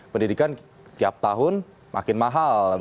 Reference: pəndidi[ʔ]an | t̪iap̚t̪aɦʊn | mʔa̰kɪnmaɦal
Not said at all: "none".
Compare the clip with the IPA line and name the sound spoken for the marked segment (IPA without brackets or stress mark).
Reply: k